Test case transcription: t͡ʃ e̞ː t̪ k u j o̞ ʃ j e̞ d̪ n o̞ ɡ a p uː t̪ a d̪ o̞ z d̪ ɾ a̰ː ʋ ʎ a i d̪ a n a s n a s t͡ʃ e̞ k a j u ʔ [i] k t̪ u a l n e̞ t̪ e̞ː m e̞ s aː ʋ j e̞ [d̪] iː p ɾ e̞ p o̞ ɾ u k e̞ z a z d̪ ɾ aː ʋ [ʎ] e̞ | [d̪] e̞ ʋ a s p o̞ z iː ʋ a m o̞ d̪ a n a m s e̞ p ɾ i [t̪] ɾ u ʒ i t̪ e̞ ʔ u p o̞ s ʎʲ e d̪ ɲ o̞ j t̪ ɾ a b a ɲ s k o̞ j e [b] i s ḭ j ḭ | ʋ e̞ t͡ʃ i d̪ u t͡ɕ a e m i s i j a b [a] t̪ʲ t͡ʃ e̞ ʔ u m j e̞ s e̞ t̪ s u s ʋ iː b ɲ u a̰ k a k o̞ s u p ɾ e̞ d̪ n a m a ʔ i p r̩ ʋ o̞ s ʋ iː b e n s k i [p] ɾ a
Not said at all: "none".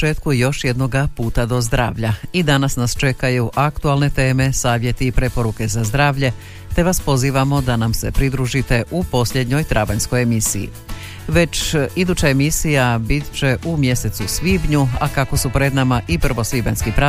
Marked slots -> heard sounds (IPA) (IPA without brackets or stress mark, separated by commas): a, t̪, ʎ, t̪, d̪, m, i, p